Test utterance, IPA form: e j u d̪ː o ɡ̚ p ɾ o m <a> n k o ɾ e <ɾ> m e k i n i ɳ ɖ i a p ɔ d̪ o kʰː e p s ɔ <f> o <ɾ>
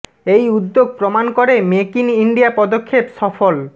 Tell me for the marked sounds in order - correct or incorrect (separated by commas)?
correct, incorrect, correct, incorrect